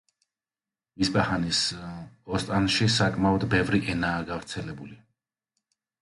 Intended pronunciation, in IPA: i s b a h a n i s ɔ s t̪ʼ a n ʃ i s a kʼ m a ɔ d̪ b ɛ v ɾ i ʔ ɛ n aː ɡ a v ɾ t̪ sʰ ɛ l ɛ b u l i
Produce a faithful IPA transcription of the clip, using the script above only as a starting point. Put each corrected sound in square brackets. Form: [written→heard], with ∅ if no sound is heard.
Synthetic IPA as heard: i s b a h a n i s ɔ s t̪ʼ a n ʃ i s a kʼ m a ɔ d̪ b ɛ v ɾ i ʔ ɛ n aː ɡ a v ɾ t̪ sʰ ɛ l ɛ b u l i